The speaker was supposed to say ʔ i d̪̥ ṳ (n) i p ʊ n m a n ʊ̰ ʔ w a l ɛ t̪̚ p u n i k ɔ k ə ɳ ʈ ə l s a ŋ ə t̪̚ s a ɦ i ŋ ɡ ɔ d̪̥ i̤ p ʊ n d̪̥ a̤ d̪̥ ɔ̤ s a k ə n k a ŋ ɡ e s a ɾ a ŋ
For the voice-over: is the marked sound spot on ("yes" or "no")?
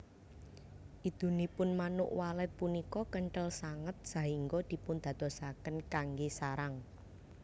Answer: yes